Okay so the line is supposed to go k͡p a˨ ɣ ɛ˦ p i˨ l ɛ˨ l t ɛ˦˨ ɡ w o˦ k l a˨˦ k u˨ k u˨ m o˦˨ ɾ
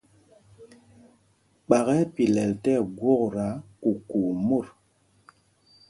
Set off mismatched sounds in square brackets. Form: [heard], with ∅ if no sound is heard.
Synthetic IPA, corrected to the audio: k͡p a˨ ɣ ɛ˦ p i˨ l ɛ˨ l t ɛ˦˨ ɡ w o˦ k [ɾ] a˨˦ k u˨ k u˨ m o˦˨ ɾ